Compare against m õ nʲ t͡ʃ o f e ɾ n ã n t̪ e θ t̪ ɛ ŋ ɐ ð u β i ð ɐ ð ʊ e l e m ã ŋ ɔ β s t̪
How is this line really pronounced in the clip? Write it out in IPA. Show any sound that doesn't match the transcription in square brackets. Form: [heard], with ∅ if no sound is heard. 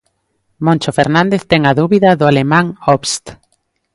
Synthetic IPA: m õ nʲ t͡ʃ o f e ɾ n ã n [d̪] e θ t̪ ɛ ŋ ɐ ð u β i ð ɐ ð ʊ [a] l e m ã ŋ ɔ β s t̪